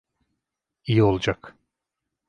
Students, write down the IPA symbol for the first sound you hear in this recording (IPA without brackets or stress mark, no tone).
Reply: i